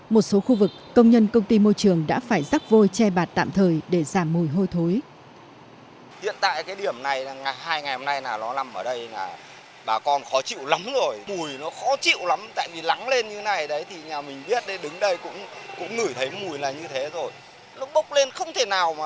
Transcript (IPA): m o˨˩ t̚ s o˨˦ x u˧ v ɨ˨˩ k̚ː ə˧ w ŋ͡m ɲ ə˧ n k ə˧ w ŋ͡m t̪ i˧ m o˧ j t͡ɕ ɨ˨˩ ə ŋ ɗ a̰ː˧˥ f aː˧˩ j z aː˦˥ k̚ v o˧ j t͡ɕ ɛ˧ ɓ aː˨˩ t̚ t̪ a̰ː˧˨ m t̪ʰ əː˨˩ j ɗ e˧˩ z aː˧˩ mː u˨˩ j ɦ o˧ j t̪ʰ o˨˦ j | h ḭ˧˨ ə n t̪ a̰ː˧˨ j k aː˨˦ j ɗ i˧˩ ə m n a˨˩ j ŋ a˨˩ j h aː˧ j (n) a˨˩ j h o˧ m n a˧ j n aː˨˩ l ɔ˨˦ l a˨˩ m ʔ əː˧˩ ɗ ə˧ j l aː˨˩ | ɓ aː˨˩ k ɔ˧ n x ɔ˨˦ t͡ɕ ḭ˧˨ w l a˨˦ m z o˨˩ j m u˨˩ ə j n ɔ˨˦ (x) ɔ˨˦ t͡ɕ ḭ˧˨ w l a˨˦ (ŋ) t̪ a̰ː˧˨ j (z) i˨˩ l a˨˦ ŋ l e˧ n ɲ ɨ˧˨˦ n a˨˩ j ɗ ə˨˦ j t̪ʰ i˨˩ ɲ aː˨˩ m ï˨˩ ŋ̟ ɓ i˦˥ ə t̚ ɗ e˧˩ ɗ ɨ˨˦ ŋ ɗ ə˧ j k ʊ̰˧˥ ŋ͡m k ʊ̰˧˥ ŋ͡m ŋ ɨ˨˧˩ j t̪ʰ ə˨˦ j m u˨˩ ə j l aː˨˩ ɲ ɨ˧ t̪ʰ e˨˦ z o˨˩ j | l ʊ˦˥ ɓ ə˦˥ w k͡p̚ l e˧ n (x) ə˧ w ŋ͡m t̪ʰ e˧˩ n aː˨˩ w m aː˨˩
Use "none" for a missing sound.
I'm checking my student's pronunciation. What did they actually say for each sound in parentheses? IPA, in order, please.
ŋ, x, m, v, x

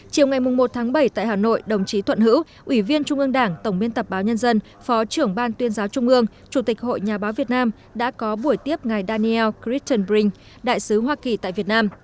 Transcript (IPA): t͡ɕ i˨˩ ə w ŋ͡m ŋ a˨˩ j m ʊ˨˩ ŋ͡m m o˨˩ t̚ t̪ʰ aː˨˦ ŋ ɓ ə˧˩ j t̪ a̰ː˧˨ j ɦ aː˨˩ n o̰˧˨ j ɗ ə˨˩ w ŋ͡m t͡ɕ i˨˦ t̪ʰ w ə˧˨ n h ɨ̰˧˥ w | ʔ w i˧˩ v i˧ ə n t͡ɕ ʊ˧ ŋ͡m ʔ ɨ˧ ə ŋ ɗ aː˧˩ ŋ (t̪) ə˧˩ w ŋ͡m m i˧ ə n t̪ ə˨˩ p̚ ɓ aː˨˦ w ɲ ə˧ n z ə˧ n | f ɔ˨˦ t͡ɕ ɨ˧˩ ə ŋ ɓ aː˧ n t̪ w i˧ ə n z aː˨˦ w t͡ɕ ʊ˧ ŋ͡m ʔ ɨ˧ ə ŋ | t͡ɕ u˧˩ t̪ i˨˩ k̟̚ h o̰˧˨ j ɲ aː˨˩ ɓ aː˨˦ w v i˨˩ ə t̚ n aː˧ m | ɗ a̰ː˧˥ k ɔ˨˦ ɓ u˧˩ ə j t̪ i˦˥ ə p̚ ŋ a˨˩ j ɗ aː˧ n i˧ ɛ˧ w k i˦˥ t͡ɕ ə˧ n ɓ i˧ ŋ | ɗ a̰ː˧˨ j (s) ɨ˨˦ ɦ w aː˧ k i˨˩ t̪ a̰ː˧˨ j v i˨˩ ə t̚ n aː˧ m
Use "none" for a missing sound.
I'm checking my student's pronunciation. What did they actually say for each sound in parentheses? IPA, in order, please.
t̪, s

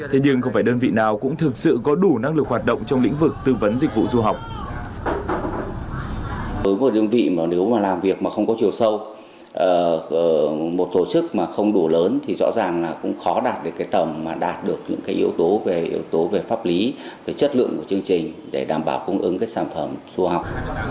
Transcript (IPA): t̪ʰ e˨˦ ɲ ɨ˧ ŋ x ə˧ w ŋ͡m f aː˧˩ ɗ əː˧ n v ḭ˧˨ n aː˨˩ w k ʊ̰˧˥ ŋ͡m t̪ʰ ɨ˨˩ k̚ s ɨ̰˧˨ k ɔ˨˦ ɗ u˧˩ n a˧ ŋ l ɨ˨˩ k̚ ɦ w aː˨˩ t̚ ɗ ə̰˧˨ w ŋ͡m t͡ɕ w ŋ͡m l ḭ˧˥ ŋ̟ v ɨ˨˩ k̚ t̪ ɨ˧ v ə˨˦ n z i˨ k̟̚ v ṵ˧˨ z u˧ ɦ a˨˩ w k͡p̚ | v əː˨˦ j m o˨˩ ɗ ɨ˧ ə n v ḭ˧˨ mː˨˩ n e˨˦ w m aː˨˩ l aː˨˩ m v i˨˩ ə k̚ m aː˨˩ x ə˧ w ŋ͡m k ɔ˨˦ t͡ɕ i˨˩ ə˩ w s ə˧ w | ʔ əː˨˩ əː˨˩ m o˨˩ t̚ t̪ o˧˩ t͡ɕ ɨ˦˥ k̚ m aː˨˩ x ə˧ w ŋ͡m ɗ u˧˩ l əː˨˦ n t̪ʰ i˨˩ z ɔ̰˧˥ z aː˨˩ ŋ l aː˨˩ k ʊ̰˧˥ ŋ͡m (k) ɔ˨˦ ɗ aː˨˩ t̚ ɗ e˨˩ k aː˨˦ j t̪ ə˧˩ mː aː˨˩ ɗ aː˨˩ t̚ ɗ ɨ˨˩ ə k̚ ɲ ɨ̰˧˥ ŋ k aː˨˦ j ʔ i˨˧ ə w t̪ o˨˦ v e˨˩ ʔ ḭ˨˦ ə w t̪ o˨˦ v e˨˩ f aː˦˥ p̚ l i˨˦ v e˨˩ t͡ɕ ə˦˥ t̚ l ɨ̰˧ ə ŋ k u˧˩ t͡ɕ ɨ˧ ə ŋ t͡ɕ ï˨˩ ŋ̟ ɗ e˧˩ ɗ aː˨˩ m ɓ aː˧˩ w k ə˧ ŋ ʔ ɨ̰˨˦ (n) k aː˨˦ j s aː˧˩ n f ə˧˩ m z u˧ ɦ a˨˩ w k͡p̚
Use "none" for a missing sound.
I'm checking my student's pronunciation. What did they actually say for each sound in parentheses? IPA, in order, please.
x, ŋ

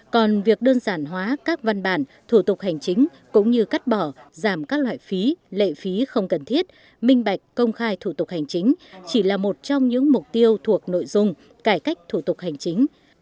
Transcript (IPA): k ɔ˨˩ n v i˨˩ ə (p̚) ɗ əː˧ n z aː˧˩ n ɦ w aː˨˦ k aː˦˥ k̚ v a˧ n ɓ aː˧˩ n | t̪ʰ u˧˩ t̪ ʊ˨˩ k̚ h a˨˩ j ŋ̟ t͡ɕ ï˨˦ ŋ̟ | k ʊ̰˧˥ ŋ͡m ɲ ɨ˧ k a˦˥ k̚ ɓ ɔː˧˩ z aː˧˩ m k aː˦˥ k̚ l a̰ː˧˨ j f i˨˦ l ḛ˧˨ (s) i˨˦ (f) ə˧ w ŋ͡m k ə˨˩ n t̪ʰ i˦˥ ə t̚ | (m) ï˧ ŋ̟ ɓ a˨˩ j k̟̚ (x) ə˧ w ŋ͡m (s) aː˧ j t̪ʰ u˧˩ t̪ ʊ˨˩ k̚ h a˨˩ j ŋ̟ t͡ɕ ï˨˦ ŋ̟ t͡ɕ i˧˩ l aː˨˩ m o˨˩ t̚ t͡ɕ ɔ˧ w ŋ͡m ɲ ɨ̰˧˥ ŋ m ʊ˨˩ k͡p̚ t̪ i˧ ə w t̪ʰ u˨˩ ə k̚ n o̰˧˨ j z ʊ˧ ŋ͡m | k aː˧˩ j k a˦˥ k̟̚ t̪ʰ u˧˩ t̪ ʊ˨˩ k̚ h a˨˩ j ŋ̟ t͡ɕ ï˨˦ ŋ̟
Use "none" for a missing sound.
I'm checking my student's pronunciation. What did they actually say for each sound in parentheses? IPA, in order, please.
k̚, f, x, m, k, x

